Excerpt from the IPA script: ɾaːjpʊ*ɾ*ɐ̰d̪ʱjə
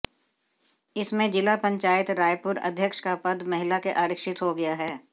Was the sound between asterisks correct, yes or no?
yes